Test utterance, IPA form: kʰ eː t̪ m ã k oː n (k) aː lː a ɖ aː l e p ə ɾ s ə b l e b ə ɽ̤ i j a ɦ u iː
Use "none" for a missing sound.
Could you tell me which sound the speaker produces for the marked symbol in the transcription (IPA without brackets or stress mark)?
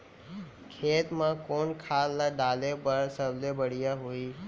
kʰ